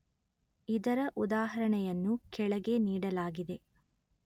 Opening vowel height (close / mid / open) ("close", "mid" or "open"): close